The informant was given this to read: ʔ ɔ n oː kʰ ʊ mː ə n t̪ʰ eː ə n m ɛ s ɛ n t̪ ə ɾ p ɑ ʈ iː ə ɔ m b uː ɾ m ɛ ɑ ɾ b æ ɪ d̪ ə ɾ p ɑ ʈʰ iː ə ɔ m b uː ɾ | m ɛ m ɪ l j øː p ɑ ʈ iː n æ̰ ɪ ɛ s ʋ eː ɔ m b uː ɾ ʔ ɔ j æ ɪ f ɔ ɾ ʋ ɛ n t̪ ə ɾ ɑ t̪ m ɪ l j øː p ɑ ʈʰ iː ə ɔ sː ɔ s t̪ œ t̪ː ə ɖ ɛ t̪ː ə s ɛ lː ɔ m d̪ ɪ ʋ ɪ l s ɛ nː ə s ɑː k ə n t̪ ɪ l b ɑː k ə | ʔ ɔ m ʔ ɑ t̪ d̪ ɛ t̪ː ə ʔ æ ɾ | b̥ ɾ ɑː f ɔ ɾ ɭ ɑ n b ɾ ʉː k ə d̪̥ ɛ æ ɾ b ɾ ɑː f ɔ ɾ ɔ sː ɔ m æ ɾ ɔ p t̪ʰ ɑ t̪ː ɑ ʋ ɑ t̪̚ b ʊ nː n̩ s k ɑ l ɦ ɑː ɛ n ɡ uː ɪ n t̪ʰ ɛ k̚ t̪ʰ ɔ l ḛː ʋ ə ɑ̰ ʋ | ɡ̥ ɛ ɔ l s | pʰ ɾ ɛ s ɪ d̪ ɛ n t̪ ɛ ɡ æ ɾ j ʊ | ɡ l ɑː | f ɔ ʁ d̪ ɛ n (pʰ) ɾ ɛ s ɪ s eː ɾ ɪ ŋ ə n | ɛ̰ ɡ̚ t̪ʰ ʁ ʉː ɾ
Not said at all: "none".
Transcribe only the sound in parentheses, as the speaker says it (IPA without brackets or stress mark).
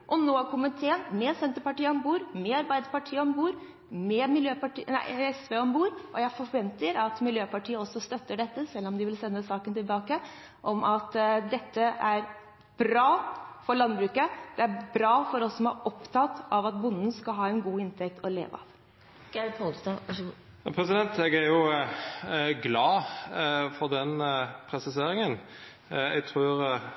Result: pʰ